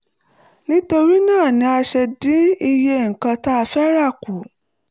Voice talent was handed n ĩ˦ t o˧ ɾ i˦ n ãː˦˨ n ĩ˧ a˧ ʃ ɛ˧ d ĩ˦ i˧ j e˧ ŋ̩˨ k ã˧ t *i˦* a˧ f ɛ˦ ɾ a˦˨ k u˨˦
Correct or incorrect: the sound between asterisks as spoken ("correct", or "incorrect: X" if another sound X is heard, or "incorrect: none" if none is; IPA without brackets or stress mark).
incorrect: a˦